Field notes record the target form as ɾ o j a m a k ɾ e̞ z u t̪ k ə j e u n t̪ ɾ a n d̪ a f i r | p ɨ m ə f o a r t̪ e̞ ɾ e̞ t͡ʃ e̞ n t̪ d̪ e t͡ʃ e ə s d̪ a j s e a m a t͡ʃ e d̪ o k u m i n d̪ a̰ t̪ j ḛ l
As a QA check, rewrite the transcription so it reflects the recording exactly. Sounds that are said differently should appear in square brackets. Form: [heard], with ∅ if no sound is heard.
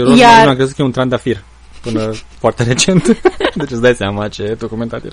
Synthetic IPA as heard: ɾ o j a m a k ɾ e̞ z u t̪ k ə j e u n t̪ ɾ a n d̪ a f i r | p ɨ [n] ə f o a r t̪ e̞ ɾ e̞ t͡ʃ e̞ n t̪ d̪ e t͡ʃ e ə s d̪ a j s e a m a t͡ʃ e d̪ o k u m [e] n [t̪] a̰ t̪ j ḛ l